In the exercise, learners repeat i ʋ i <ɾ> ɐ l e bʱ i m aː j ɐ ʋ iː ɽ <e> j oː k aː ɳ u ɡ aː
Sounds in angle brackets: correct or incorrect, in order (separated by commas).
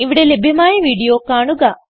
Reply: incorrect, incorrect